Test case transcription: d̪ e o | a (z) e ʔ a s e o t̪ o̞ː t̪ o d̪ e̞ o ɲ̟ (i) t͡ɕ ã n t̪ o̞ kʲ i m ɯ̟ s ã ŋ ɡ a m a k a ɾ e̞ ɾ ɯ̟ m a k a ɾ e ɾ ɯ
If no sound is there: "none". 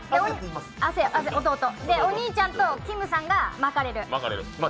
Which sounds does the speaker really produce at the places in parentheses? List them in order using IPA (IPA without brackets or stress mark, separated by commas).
s, iː